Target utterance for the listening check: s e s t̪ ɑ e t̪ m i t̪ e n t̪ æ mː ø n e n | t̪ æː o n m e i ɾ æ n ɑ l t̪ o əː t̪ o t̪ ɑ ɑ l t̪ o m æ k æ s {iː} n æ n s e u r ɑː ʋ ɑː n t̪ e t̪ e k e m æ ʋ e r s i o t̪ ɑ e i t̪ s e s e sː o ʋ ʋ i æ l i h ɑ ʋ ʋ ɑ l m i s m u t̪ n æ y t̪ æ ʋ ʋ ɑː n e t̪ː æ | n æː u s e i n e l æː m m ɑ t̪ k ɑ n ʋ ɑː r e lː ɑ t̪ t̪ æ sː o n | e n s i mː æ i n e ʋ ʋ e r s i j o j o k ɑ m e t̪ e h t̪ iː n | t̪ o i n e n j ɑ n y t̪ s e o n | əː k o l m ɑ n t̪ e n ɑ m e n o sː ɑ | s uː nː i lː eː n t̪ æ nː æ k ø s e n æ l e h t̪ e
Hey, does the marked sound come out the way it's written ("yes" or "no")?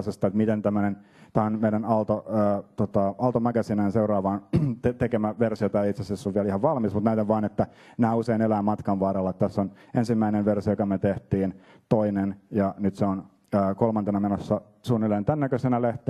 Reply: no